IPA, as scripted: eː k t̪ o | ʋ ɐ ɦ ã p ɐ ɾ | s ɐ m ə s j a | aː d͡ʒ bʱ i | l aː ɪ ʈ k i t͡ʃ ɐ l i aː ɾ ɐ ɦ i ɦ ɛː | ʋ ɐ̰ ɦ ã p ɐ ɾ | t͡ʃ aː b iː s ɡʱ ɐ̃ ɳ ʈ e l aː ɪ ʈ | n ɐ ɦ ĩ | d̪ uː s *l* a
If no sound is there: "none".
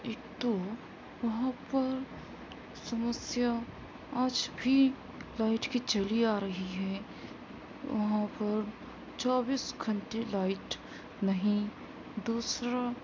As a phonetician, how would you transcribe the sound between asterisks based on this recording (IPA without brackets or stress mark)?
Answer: ɾ